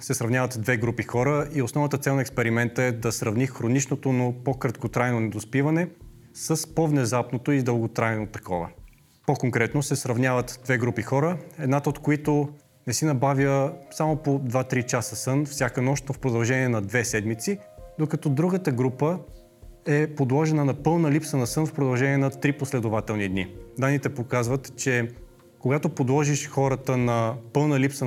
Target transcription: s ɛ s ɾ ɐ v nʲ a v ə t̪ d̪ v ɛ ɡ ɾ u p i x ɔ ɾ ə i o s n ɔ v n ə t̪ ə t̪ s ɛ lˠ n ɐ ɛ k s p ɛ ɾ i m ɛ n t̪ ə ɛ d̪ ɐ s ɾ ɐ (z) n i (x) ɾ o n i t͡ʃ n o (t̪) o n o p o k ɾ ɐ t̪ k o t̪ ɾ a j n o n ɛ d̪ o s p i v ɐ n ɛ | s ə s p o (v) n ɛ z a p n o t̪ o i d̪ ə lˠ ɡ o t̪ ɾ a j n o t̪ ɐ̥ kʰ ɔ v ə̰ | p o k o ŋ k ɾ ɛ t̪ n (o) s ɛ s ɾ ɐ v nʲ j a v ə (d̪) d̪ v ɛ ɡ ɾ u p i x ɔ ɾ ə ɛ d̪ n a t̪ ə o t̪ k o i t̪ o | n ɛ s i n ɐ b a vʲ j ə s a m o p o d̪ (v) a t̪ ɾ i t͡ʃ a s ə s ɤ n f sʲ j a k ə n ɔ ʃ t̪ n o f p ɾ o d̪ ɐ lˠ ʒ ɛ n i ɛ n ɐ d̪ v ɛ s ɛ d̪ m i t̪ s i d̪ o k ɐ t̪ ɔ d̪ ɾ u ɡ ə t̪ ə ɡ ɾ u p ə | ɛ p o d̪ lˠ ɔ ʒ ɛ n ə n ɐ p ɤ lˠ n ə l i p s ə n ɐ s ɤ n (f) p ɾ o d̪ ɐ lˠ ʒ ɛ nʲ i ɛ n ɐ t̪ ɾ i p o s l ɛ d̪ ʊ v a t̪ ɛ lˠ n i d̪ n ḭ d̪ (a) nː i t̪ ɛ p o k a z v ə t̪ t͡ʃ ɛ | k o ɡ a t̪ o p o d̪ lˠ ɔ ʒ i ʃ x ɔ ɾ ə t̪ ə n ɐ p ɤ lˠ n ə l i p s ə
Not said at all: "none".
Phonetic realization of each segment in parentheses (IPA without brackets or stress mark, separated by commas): v, x, t̪, v, o, t̪, v, f, a